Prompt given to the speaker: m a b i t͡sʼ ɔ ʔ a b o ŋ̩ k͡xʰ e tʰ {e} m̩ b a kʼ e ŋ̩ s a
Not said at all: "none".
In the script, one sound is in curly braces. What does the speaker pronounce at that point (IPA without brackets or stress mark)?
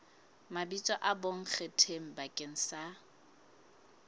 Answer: e